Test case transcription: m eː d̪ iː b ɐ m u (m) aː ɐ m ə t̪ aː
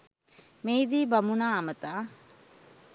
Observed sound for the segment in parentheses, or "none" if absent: n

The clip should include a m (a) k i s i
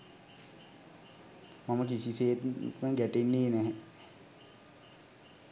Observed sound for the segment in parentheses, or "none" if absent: ə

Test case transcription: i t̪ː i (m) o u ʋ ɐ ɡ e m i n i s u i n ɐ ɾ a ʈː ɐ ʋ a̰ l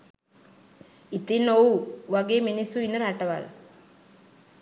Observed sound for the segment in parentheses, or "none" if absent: n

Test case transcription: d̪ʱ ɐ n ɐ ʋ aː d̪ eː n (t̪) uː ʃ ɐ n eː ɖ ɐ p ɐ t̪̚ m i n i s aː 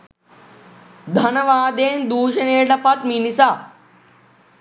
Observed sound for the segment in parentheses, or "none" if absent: d̪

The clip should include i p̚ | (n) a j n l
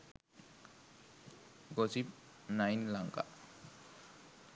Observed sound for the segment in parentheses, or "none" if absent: n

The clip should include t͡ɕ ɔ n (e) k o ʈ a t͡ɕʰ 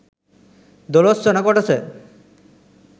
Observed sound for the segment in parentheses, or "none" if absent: a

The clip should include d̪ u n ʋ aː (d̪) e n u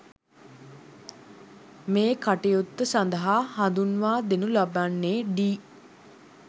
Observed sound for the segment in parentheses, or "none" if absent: d̪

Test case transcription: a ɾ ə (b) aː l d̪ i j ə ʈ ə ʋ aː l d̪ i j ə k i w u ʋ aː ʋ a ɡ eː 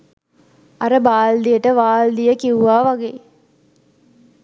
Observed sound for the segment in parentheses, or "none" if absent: b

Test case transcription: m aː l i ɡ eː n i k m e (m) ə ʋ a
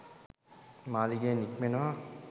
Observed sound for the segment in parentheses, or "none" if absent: n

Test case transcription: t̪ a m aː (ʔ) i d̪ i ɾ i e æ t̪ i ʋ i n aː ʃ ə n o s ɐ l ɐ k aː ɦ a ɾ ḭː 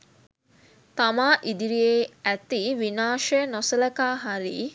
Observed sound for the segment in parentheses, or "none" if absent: ʔ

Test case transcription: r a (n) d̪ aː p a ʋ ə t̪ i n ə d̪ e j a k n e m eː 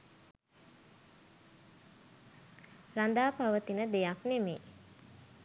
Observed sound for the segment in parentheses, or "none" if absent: n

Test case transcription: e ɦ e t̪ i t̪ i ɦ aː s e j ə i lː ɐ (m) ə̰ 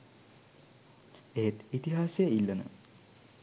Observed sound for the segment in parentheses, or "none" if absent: n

